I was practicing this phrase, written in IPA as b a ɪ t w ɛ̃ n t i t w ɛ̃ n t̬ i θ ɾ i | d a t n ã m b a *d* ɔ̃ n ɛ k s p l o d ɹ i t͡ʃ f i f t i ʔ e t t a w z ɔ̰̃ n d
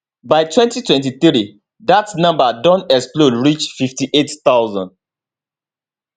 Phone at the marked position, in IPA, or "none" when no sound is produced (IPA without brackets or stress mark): d